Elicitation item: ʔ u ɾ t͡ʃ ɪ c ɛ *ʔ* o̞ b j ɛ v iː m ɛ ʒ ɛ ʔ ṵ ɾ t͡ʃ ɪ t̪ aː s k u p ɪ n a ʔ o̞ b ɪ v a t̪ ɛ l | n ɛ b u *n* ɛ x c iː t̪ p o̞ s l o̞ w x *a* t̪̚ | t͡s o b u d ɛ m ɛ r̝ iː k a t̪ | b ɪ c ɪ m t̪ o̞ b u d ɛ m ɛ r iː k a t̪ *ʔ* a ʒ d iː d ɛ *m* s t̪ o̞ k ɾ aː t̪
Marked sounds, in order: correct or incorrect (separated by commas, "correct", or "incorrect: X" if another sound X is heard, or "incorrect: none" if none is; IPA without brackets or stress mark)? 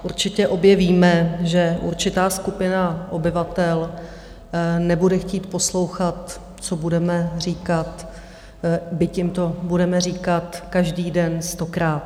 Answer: correct, incorrect: d, correct, incorrect: k, incorrect: n